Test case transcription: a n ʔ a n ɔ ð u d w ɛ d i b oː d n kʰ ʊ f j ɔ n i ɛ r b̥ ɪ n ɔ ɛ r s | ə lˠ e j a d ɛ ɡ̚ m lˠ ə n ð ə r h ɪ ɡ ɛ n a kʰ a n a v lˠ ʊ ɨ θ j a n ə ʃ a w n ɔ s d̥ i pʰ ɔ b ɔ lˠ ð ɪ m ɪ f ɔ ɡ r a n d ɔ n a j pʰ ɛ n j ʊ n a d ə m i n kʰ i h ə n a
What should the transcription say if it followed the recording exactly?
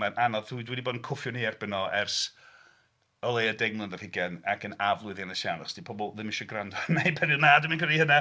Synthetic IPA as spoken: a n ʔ a n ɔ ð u d w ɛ d i b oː d n kʰ ʊ f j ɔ n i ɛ r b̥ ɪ n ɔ ɛ r s | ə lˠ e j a d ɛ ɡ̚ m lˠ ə n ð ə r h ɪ ɡ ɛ n a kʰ ə n a v lˠ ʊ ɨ ð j a n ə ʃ a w n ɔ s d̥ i pʰ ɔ b ɔ lˠ ð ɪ m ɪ ʃ ɔ ɡ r a n d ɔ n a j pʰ ɛ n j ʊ n a d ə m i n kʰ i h ə n a